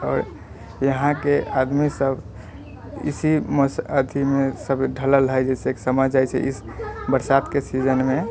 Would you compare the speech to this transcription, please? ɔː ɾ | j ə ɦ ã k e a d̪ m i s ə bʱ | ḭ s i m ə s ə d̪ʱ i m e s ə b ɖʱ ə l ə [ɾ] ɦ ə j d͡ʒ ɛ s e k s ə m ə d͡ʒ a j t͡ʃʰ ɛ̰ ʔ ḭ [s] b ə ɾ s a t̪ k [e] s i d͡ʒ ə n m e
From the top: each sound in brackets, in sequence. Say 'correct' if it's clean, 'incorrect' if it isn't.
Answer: incorrect, correct, correct

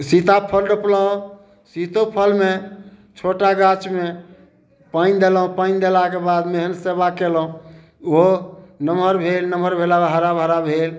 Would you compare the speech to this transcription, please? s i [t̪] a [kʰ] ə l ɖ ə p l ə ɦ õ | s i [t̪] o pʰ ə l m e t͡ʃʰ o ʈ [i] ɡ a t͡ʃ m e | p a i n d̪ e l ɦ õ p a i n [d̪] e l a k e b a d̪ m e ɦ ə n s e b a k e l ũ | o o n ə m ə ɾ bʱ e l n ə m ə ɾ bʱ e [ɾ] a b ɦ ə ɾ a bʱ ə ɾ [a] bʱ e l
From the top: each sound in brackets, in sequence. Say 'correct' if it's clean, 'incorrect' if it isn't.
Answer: correct, incorrect, correct, incorrect, correct, incorrect, correct

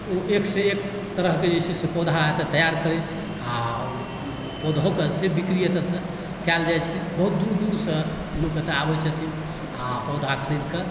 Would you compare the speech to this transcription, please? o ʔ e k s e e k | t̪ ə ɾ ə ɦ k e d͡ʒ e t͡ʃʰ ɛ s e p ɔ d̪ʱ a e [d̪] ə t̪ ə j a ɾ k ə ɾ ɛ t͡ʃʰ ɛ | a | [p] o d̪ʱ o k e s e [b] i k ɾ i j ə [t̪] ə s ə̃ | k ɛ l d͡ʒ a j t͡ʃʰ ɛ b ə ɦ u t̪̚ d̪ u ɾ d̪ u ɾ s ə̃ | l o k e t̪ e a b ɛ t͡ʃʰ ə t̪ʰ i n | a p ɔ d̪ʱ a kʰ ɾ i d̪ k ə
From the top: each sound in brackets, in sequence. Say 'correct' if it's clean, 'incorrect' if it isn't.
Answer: incorrect, correct, correct, correct

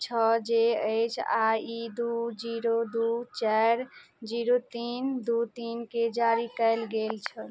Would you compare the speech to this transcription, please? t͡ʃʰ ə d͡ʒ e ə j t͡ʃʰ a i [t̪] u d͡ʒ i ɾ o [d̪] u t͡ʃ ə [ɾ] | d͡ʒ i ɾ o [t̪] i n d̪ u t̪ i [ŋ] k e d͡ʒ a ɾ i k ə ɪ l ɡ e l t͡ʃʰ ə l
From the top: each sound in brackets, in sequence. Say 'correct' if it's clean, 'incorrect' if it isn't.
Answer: incorrect, correct, correct, correct, incorrect

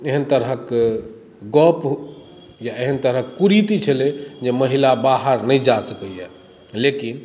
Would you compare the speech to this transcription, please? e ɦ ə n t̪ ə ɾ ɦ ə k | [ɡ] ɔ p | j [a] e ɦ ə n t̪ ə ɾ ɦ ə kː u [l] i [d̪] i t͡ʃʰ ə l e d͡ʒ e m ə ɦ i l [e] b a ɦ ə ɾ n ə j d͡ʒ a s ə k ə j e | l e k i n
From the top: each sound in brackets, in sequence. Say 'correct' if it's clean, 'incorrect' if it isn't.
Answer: correct, correct, incorrect, incorrect, incorrect

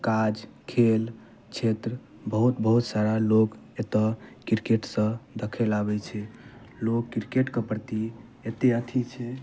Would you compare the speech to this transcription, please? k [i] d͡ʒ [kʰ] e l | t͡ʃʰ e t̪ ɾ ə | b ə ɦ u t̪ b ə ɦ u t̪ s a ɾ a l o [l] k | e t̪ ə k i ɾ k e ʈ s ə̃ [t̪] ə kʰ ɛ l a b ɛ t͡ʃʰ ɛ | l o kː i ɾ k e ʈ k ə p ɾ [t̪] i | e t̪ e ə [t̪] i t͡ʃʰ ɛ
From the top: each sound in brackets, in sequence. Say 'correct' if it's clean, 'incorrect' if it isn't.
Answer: incorrect, correct, incorrect, incorrect, correct, incorrect

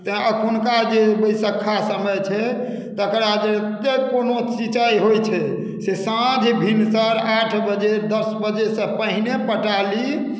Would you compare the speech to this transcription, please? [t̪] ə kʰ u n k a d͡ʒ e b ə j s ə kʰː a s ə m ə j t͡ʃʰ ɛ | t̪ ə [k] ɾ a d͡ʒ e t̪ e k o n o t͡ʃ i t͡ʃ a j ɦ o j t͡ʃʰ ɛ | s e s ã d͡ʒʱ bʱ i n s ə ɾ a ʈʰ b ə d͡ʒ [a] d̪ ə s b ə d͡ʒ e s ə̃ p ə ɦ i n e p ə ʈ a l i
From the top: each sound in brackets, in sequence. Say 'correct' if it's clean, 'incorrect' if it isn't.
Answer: correct, correct, incorrect

